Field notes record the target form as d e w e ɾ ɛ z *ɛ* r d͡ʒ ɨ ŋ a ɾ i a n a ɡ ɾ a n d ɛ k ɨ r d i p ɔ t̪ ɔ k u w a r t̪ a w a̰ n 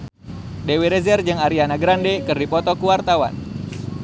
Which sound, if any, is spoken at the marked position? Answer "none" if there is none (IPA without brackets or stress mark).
ɛ